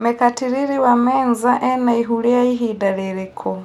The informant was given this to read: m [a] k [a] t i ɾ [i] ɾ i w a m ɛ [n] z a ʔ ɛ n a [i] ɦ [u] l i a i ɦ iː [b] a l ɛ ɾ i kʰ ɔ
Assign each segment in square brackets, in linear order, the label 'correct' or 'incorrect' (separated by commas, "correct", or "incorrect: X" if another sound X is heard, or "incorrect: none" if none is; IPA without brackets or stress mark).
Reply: incorrect: ɛ, correct, correct, correct, correct, correct, incorrect: d